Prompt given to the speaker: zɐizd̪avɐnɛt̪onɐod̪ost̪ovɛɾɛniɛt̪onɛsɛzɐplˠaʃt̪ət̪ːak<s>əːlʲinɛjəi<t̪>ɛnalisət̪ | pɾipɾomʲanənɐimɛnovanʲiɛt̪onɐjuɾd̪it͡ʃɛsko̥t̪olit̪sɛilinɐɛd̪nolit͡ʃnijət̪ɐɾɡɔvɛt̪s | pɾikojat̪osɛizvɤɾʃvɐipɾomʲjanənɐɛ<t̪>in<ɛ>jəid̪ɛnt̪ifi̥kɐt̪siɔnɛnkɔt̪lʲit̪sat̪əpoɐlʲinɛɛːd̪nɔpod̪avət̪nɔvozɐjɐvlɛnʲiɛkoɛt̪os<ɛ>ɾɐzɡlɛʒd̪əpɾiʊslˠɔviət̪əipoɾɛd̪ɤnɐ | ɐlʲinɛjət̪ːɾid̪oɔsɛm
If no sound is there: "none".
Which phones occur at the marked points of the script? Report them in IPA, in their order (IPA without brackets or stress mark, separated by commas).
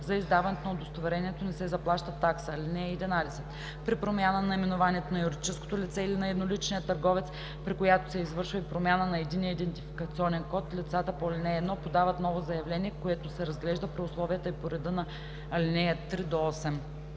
s, d̪, d̪, i, ɛ